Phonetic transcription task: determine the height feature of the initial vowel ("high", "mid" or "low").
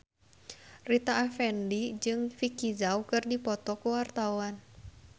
high